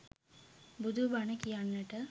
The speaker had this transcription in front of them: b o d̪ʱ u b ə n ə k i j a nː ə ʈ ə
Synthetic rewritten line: b u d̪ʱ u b a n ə k i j a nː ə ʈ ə

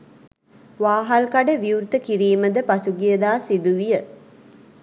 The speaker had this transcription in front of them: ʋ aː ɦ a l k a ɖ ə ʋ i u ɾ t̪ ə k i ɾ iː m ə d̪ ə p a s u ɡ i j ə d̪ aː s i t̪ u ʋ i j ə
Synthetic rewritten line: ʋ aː ɦ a l k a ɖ ə ʋ i u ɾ t̪ ə k i ɾ iː m ə d̪ ə p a s u ɡ i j ə d̪ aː s i d̪ u ʋ i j ə

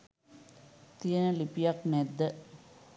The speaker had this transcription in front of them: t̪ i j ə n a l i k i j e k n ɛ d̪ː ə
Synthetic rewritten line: t̪ i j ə n ə l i p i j a k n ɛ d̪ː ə

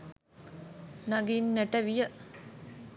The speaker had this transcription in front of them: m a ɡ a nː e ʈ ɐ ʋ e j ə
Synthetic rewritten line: n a ɡ i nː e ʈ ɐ ʋ i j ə

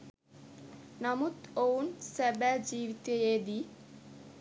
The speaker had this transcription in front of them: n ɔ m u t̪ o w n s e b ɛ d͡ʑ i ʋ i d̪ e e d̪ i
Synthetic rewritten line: n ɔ m u t̪ o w n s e b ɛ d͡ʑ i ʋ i t̪ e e d̪ i

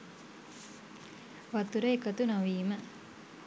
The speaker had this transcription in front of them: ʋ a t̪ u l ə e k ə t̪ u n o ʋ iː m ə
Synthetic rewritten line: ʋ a t̪ u ɾ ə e k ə t̪ u n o ʋ iː m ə

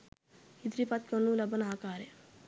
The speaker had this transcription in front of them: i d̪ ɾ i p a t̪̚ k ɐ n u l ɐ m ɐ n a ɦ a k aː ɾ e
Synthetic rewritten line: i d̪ ɾ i p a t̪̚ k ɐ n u l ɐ b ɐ n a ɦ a k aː ɾ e

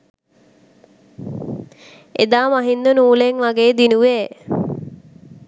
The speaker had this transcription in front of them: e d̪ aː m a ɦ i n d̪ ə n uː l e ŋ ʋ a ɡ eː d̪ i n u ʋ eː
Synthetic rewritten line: e d̪ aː m a ɦ i n d̪ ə n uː l e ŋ ʋ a ɡ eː d̪ i n u ʋ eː

